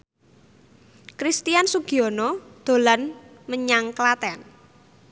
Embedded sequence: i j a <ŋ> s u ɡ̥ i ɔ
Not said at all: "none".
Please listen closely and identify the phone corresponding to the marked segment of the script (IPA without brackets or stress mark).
n